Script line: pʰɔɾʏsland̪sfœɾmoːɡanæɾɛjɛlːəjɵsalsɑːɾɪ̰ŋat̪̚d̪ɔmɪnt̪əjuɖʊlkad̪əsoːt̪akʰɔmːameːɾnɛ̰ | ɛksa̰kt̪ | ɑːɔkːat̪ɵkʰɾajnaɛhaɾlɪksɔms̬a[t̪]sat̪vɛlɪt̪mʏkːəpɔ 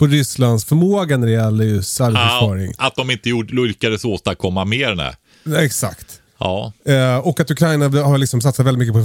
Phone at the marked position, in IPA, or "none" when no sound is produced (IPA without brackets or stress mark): t̪